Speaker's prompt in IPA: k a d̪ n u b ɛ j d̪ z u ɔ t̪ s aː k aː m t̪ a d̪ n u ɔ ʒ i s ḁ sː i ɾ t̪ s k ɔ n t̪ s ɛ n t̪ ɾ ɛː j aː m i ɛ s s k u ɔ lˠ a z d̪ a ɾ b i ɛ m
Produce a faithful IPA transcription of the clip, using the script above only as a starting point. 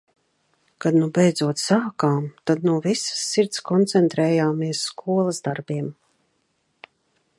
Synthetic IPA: k a d̪ n u b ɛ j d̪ z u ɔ t̪ s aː k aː m t̪ a d̪ n u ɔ v i s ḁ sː i ɾ t̪ s k ɔ n t̪ s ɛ n t̪ ɾ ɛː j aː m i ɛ s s k u ɔ lˠ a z d̪ a ɾ b i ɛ m